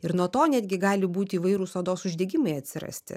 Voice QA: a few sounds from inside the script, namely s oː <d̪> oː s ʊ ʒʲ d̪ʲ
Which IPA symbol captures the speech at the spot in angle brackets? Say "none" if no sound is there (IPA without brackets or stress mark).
d̪